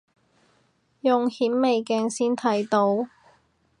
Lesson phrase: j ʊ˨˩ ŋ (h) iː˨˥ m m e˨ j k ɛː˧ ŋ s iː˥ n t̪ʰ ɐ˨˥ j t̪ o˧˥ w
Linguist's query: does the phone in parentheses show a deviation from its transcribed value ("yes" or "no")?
no